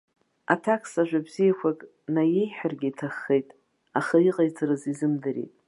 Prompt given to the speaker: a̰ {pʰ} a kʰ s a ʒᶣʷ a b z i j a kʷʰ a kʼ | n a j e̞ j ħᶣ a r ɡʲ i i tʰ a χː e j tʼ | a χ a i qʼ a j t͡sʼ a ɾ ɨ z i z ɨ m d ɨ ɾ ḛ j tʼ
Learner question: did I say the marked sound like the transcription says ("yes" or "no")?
no